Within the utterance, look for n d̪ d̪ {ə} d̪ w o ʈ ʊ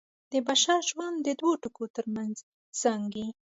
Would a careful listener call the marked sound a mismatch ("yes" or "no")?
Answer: no